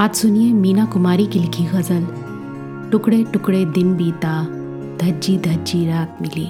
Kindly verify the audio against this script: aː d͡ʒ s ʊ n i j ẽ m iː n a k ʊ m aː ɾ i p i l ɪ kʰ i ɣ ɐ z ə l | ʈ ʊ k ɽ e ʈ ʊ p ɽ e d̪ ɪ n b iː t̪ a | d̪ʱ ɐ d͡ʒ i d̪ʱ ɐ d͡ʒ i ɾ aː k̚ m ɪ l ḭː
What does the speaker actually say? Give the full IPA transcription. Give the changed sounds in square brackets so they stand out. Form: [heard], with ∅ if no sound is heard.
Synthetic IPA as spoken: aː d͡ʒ s ʊ n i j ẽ m iː n a k ʊ m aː ɾ i [k] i l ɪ kʰ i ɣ ɐ z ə l | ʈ ʊ k ɽ e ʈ ʊ [k] ɽ e d̪ ɪ n b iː t̪ a | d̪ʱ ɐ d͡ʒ i d̪ʱ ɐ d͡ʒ i ɾ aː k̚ m ɪ l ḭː